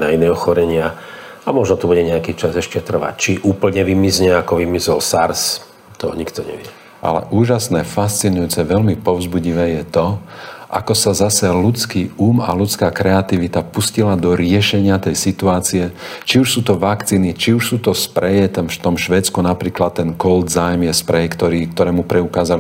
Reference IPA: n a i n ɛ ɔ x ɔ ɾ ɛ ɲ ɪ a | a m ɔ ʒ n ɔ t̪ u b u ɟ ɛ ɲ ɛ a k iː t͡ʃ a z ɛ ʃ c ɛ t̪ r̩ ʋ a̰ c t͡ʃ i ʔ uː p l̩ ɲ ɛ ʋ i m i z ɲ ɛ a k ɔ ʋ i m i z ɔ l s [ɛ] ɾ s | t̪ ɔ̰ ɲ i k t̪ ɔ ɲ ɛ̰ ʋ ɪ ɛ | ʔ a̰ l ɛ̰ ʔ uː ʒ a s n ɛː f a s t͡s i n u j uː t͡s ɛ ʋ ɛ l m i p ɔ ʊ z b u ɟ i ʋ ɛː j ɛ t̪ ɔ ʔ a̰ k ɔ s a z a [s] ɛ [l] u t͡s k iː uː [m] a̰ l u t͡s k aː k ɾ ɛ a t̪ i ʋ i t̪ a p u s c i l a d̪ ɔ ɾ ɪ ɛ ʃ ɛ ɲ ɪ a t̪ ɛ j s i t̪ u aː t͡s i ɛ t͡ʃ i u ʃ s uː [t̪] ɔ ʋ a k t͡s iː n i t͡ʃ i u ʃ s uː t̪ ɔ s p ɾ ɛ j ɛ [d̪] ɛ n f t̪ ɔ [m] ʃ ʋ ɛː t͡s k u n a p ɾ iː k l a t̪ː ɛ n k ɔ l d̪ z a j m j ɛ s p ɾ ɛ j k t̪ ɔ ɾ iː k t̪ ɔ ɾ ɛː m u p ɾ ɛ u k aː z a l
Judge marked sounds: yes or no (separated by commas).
no, yes, yes, yes, yes, no, yes